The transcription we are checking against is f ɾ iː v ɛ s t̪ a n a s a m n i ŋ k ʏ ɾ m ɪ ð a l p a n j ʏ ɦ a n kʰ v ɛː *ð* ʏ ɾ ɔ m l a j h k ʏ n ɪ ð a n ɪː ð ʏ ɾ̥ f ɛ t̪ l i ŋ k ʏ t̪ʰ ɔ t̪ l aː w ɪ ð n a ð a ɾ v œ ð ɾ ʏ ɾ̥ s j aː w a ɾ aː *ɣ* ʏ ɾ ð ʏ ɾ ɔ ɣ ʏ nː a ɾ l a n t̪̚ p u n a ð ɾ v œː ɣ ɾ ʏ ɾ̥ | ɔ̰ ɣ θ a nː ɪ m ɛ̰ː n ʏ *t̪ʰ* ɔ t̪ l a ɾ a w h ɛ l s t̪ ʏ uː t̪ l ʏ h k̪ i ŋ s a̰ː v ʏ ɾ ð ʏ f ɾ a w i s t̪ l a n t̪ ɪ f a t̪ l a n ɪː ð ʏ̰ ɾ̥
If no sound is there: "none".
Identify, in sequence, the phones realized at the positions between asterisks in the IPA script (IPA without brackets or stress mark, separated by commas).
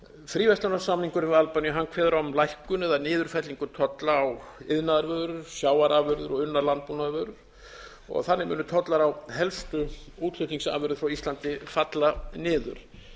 ð, v, t̪ʰ